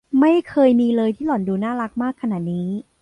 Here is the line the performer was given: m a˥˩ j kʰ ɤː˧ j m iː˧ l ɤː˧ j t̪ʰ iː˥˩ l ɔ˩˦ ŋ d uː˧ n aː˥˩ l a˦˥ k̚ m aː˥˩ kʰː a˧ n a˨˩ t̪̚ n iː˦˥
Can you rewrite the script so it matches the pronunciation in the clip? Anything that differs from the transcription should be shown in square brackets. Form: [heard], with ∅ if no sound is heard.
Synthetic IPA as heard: m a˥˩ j kʰ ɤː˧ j m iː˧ l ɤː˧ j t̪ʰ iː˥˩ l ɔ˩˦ [n] d uː˧ n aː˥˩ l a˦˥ k̚ m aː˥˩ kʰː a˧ n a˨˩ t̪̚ n iː˦˥